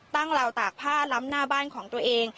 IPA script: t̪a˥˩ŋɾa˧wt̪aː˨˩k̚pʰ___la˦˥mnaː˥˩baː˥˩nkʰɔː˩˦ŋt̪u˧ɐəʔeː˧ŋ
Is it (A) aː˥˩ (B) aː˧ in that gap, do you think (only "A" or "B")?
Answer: A